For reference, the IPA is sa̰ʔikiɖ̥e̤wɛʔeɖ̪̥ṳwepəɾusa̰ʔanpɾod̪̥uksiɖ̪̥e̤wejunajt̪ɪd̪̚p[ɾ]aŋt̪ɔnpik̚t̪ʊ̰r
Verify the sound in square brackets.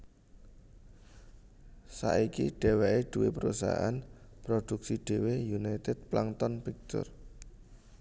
incorrect: l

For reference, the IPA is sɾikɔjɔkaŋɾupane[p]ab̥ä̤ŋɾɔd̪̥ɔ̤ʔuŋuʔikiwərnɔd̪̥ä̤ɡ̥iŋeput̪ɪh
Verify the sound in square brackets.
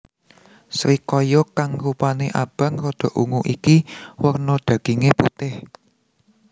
incorrect: ʔ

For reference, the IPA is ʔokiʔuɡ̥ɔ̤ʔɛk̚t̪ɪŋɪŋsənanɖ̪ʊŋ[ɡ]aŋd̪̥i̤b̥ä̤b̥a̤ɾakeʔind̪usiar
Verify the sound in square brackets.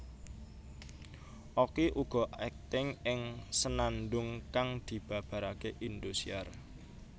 incorrect: k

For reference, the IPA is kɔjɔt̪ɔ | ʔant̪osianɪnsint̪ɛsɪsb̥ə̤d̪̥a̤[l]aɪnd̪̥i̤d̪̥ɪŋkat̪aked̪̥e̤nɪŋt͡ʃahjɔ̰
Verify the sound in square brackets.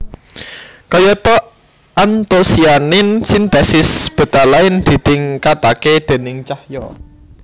correct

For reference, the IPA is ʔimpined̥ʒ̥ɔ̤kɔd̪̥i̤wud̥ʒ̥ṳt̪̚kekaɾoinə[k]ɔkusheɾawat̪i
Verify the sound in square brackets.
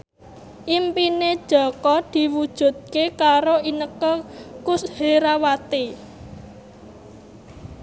correct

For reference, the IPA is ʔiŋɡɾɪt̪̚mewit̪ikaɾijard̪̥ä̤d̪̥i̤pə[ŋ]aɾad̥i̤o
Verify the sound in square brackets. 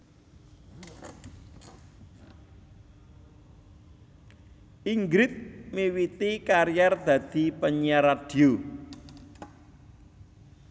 incorrect: ɲ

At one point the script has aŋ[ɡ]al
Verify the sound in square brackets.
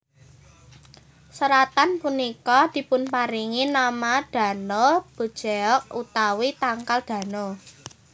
incorrect: k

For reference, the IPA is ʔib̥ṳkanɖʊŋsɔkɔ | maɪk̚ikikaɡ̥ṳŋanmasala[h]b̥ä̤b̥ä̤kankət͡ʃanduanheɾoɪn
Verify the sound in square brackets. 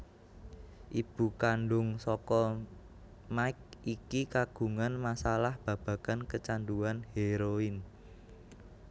correct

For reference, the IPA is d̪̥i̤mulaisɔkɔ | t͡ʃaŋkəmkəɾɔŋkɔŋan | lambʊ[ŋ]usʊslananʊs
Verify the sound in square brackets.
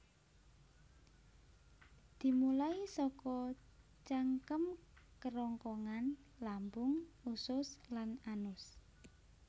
correct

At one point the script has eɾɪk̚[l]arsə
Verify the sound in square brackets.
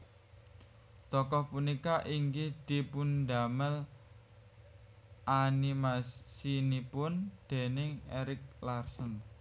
correct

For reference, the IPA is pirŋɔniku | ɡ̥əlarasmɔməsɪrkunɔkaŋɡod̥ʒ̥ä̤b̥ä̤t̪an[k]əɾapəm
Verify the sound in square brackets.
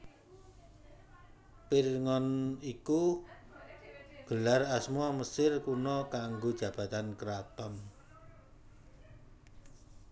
correct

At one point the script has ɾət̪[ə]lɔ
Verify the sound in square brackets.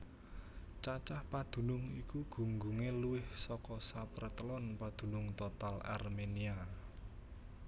correct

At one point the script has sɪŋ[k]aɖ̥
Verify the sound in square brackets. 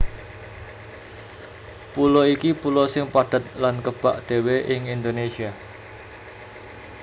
incorrect: p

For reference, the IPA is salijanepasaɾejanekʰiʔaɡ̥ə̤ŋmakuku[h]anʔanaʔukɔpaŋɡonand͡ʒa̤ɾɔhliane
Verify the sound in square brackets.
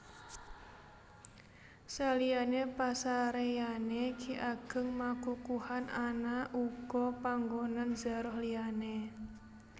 correct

